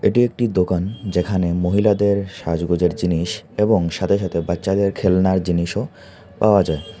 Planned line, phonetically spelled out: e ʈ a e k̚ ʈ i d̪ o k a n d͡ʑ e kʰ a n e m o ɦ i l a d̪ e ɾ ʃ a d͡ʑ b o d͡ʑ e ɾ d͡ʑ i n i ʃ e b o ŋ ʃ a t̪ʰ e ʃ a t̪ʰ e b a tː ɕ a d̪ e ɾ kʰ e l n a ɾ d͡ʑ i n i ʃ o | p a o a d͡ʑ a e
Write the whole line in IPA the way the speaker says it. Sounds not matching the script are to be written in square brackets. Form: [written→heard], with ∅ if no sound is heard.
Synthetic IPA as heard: e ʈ [a→i] e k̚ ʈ i d̪ o k a n d͡ʑ e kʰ a n e m o ɦ i l a d̪ e ɾ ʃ a d͡ʑ [b→ɡ] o d͡ʑ e ɾ d͡ʑ i n i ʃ e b o ŋ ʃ a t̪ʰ e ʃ a t̪ʰ e b a tː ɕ a d̪ e ɾ kʰ e l n a ɾ d͡ʑ i n i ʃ o | p a o a d͡ʑ a e